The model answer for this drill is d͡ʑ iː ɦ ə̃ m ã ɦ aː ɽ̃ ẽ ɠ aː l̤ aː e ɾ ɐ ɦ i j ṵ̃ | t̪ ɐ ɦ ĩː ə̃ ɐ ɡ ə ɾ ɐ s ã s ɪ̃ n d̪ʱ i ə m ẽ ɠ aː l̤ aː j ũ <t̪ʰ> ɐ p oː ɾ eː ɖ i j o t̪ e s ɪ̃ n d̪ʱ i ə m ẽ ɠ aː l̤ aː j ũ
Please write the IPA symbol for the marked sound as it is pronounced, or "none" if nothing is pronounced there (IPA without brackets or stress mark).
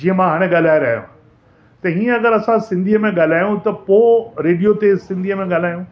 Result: t̪